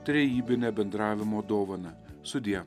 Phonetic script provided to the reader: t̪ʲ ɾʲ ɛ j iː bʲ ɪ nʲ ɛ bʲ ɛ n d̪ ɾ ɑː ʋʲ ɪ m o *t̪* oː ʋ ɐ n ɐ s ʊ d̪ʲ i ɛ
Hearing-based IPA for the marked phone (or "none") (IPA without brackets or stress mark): d̪